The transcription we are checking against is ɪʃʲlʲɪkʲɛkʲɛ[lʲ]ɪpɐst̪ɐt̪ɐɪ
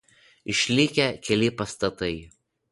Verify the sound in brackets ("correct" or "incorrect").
correct